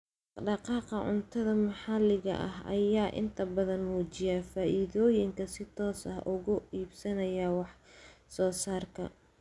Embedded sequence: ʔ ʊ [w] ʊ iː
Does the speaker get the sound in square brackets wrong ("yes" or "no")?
yes